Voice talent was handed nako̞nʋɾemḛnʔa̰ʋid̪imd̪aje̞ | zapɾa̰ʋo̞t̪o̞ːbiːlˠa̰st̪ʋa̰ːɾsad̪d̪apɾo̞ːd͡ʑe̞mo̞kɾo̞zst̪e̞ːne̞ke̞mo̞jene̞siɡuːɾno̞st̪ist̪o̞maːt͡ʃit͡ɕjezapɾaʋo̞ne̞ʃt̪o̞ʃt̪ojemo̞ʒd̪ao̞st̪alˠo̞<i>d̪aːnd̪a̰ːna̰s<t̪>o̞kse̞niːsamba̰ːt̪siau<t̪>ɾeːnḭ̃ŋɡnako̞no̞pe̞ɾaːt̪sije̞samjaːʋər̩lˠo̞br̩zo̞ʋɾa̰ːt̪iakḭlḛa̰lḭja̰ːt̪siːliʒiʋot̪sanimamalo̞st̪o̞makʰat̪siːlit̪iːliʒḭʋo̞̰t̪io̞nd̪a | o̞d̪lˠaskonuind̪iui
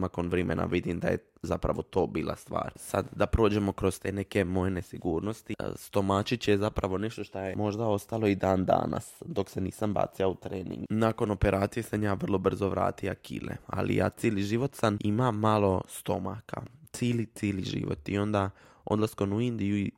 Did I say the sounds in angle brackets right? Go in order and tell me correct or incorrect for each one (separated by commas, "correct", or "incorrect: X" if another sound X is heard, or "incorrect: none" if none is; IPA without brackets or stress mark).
correct, incorrect: d̪, correct